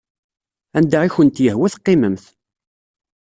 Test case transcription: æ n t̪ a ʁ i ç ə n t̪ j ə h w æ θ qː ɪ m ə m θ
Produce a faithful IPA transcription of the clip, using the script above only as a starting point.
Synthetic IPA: æ n d̪ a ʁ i ç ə n t̪ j ə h w æ θ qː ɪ m ə m θ